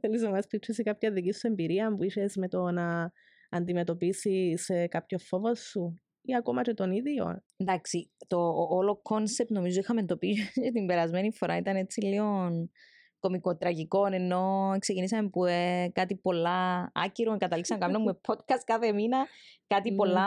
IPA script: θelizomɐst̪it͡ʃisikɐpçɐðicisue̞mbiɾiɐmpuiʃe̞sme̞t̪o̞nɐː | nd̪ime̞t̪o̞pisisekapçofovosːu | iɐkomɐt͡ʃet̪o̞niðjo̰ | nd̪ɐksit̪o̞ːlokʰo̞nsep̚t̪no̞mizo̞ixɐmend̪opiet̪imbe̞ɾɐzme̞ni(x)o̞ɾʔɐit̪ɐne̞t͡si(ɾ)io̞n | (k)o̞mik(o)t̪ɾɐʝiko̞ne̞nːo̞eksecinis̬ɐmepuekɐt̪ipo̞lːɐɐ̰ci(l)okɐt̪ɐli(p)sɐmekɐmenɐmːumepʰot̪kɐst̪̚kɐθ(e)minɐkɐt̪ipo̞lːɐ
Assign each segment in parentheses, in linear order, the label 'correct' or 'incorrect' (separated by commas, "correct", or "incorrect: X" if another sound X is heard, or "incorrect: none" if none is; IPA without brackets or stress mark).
incorrect: f, incorrect: l, correct, correct, incorrect: ɾ, incorrect: k, correct